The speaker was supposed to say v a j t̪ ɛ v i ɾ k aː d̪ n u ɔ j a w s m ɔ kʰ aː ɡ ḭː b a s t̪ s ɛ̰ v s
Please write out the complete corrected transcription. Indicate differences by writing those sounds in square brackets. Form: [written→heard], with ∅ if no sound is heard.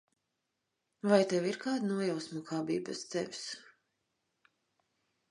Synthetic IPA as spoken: v a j t̪ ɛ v i ɾ k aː d̪ n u ɔ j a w s m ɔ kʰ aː [ɡ→b] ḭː b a s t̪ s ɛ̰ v s